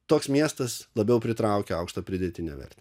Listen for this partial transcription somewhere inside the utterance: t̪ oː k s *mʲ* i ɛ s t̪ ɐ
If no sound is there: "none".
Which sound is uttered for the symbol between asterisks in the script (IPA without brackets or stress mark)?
mʲ